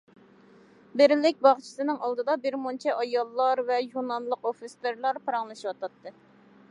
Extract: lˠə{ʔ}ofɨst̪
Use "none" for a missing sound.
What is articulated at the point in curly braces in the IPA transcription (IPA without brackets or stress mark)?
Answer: q